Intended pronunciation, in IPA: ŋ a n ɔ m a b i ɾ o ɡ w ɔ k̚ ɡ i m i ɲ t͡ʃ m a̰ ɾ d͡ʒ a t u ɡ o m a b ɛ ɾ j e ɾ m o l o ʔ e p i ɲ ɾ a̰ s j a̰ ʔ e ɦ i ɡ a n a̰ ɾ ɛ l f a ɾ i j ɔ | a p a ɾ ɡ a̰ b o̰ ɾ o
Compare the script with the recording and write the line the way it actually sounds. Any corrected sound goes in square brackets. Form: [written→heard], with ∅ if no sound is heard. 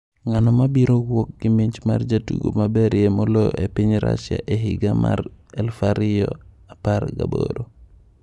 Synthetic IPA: ŋ a n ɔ m a b i ɾ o ɡ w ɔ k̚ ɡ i m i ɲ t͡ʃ m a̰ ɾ d͡ʒ a t u ɡ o m a b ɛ ɾ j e [ɾ→∅] m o l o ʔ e p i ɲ ɾ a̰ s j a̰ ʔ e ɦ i ɡ a [n→m] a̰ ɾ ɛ l f a ɾ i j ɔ | a p a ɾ ɡ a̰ b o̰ ɾ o